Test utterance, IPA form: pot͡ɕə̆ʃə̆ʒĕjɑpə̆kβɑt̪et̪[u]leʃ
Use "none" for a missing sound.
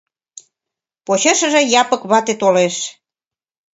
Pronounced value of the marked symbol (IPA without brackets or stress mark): o